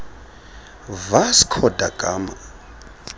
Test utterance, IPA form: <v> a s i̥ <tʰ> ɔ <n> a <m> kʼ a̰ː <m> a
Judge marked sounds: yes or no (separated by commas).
yes, no, no, no, yes